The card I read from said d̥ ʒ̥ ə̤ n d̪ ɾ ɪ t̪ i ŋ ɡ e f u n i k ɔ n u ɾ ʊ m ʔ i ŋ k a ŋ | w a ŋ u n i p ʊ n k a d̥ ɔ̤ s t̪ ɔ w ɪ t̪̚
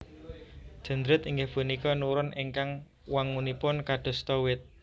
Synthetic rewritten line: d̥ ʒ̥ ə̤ n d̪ ɾ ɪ t̪ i ŋ ɡ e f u n i k ɔ n u ɾ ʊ n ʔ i ŋ k a ŋ | w a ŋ u n i p ʊ n k a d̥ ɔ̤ s t̪ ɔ w ɪ t̪̚